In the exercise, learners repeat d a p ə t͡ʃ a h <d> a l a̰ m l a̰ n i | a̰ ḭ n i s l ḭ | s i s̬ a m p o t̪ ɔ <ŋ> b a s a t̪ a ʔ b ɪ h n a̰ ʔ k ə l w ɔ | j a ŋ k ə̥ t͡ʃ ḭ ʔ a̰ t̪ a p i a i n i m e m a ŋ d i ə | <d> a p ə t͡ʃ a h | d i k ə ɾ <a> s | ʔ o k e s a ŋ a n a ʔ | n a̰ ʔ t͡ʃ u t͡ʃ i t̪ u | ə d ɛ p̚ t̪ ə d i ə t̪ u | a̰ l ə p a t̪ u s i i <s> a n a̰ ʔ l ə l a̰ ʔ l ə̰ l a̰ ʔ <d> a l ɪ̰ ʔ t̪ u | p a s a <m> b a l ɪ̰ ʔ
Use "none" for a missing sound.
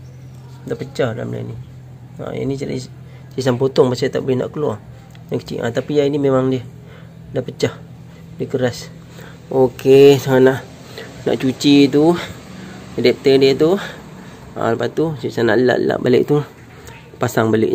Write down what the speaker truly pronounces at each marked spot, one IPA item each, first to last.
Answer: d, ŋ, d, a, s, b, ŋ

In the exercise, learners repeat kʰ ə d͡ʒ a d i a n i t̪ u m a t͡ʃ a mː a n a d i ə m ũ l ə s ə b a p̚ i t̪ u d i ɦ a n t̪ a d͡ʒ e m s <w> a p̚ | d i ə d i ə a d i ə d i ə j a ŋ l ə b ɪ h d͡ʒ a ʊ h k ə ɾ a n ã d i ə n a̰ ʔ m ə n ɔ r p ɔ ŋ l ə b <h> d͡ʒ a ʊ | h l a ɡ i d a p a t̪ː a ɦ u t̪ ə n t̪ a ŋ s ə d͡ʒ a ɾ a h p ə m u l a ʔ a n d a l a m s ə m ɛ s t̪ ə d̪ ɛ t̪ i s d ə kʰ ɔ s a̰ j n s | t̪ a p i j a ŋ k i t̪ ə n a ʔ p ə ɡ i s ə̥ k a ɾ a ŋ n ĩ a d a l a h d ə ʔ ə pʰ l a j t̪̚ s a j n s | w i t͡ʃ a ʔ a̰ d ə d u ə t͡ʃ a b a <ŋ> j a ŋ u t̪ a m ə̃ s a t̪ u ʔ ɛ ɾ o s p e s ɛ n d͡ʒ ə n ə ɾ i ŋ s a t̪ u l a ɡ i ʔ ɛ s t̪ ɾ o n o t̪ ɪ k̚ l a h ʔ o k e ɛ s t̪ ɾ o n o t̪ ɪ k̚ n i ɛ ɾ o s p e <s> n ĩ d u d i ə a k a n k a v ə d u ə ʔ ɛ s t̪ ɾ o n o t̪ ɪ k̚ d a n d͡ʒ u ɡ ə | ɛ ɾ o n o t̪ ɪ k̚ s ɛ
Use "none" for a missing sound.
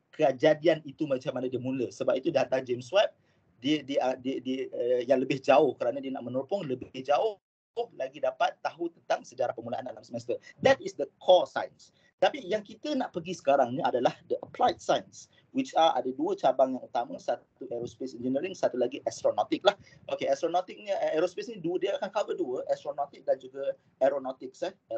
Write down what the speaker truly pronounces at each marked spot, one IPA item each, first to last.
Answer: w, h, ŋ, s

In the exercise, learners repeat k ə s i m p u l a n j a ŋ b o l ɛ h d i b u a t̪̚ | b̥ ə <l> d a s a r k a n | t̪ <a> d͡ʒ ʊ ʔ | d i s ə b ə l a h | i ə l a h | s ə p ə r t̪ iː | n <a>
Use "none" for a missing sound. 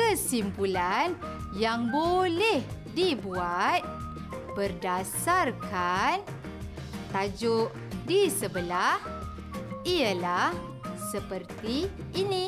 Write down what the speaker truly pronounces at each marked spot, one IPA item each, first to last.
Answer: r, a, i

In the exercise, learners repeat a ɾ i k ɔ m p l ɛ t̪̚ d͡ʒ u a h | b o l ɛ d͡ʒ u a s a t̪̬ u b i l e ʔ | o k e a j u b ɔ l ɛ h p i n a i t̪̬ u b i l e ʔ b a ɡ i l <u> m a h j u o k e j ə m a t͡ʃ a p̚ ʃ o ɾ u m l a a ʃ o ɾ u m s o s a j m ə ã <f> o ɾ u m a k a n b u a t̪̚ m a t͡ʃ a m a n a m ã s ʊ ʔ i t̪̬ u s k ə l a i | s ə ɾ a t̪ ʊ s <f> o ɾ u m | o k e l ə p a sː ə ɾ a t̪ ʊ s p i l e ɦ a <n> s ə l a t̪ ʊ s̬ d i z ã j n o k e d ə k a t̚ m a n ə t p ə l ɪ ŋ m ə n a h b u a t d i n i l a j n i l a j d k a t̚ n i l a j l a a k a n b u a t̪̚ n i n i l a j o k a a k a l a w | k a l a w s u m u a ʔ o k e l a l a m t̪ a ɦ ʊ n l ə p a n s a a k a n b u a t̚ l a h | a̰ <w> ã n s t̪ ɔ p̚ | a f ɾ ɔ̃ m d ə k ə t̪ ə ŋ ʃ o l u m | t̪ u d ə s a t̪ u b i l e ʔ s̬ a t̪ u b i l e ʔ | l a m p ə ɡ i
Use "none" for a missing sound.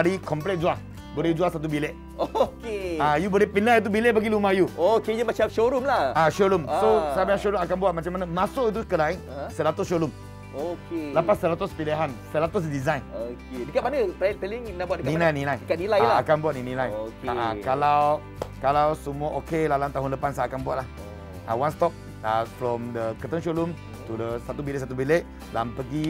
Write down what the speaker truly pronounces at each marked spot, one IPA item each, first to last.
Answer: u, ʃ, ʃ, n, w

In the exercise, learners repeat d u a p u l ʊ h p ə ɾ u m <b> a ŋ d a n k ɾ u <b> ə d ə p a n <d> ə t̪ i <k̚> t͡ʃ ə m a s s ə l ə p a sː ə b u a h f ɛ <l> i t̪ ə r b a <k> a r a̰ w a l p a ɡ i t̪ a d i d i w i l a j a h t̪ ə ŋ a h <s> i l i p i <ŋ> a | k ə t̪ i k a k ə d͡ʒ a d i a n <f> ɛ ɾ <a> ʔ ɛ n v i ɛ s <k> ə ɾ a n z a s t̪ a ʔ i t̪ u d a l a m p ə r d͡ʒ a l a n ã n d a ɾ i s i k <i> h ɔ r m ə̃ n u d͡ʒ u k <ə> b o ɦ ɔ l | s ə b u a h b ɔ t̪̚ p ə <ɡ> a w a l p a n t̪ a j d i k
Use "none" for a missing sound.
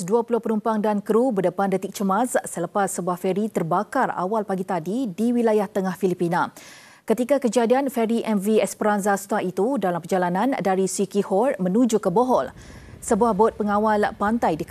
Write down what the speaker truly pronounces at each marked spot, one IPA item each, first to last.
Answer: p, b, d, k̚, ɾ, k, f, n, f, i, p, i, ə, ŋ

